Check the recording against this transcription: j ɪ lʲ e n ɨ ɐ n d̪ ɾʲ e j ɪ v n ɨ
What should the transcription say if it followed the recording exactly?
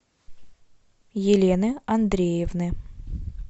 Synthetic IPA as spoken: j ɪ lʲ e n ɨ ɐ n d̪ ɾʲ e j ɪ v n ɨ